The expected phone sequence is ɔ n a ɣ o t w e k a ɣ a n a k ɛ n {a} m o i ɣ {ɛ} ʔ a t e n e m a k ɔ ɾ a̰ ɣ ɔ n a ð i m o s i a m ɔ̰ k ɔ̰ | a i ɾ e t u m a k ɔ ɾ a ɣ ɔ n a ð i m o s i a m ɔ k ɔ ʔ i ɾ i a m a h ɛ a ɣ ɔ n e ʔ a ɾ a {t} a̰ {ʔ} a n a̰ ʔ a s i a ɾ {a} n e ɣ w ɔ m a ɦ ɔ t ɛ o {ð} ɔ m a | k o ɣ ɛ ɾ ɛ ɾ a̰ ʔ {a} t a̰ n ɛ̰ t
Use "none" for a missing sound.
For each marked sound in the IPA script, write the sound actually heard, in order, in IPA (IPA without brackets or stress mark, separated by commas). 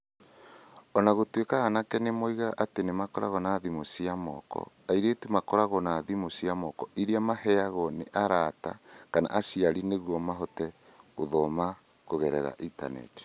e, a, t, k, i, ð, i